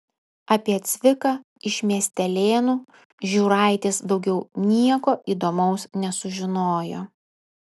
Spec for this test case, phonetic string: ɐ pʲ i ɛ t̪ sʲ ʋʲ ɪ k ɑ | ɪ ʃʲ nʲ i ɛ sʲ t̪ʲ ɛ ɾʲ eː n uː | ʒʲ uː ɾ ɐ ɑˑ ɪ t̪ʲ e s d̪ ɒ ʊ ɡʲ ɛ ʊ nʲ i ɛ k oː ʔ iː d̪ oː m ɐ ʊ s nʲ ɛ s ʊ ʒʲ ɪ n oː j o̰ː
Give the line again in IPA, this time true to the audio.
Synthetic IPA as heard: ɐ pʲ i ɛ t̪ sʲ ʋʲ ɪ k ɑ | ɪ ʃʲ mʲ i ɛ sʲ t̪ʲ ɛ lʲ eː n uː | ʒʲ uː ɾ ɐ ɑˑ ɪ t̪ʲ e s d̪ ɒ ʊ ɡʲ ɛ ʊ nʲ i ɛ k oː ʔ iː d̪ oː m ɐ ʊ s nʲ ɛ s ʊ ʒʲ ɪ n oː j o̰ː